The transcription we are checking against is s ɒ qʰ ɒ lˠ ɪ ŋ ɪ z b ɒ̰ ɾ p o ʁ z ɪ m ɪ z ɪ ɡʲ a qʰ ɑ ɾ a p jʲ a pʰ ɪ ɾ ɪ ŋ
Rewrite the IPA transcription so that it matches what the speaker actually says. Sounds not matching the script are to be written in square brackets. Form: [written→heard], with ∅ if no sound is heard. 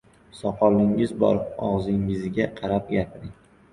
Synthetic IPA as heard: s ɒ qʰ ɒ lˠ ɪ ŋ ɪ z b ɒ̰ ɾ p [o→ɒ] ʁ z ɪ [m→ŋ] ɪ z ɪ ɡʲ a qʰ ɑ ɾ a p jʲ a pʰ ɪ ɾ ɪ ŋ